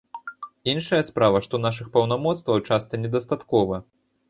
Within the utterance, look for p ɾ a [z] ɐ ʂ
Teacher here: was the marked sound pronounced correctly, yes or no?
no